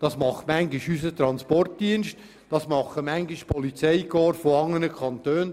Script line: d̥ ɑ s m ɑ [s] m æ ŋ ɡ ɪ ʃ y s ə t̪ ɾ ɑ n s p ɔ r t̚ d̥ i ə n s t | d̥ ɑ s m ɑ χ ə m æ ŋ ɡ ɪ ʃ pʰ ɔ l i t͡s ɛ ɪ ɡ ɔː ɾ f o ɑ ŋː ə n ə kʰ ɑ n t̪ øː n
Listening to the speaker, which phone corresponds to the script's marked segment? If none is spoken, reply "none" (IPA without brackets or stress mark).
χ